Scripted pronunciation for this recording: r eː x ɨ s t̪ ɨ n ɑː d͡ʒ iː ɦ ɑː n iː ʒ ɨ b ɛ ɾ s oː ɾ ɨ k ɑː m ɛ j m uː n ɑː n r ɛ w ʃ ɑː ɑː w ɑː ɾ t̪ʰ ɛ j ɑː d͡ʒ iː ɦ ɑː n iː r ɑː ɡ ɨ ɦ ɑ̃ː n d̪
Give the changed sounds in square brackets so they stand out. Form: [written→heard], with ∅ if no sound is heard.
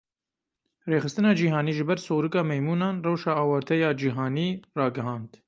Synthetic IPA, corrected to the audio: r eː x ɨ s t̪ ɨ n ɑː d͡ʒ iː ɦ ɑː n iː ʒ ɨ b ɛ ɾ s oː ɾ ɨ k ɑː m ɛ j m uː n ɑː n r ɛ w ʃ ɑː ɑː w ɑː ɾ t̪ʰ ɛ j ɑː d͡ʒ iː ɦ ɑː n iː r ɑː ɡ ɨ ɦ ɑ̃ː n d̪